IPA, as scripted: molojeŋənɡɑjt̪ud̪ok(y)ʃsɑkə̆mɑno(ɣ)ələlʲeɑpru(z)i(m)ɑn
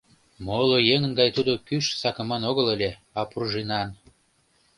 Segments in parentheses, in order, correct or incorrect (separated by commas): correct, correct, incorrect, incorrect